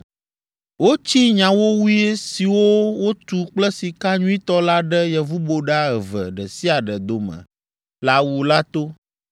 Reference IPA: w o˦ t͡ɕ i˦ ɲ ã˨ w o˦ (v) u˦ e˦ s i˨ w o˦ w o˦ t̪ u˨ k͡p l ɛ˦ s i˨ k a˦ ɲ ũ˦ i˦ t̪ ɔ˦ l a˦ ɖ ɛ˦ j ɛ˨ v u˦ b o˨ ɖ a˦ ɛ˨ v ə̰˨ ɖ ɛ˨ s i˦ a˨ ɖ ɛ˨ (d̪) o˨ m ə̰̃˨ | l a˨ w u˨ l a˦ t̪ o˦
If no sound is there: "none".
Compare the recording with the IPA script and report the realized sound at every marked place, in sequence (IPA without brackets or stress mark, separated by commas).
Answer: w, d̪